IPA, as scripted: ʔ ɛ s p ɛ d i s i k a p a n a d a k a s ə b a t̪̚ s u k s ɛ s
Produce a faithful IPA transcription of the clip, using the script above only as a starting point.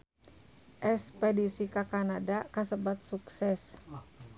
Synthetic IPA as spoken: ʔ ɛ s p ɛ d i s i k a k a n a d a k a s ə b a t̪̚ s u k s ɛ s